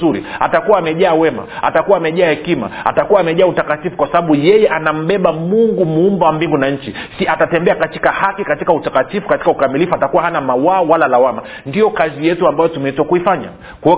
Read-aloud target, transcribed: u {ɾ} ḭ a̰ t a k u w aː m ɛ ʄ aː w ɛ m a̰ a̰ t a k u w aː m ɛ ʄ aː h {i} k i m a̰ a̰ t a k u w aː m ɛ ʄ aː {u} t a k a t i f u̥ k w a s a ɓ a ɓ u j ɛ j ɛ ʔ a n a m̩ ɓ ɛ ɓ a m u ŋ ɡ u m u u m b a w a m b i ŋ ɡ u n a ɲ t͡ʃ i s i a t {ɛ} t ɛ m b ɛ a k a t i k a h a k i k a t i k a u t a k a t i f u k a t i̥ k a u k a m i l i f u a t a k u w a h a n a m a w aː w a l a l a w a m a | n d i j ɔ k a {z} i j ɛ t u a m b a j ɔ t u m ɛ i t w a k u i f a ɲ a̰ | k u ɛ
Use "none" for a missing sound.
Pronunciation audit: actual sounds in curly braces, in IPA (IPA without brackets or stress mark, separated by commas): ɾ, ɛ, u, a, z